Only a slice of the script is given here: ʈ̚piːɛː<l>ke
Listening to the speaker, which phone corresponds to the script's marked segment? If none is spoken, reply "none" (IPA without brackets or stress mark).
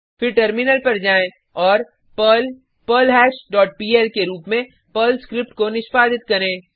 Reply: l